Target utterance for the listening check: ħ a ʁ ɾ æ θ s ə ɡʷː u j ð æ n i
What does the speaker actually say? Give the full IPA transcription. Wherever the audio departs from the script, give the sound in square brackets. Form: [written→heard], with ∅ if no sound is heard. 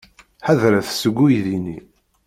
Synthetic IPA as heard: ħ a [ʁ→ð] ɾ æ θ s ə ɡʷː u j ð [æ→i] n i